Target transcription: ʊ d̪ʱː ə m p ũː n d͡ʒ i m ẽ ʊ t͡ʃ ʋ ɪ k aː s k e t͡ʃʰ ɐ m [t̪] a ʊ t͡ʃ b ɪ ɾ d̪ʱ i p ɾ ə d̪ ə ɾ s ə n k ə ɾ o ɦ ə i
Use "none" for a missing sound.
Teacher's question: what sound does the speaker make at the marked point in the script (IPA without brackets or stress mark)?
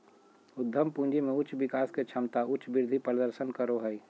t̪